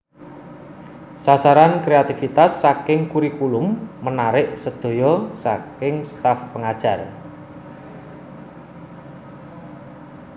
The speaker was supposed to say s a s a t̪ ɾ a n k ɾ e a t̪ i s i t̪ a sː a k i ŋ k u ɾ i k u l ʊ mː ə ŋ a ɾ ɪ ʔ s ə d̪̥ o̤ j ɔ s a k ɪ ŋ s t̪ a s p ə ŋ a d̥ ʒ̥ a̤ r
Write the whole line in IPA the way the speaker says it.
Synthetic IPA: s a s a ɾ a n k ɾ e a t̪ i f i t̪ a sː a k ɪ ŋ k u ɾ i k u l ʊ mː ə n a ɾ ɪ ʔ s ə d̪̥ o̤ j ɔ s a k ɪ ŋ s t̪ a f p ə ŋ a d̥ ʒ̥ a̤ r